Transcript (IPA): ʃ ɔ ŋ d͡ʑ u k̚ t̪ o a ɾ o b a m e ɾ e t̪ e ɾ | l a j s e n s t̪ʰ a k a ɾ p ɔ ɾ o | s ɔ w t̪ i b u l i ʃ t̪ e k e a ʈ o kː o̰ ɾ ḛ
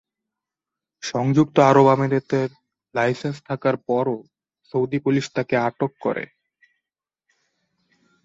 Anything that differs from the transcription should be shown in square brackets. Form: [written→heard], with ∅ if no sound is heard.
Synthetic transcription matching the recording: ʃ ɔ ŋ d͡ʑ u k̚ t̪ o a ɾ o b a m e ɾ e t̪ e ɾ | l a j s e n s t̪ʰ a k a ɾ p ɔ ɾ o | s [ɔ→o] w [t̪→d̪] i [b→p] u l i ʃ t̪ [e→a] k e a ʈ o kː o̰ ɾ ḛ